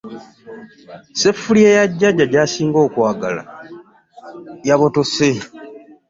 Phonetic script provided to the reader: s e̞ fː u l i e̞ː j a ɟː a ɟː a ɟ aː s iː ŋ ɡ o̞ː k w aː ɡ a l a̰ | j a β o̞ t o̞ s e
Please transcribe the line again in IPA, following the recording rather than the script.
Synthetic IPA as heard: s e̞ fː u l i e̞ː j a ɟː a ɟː a ɟ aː s iː ŋ ɡ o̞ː k w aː ɡ a l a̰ | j a β o̞ t o̞ s e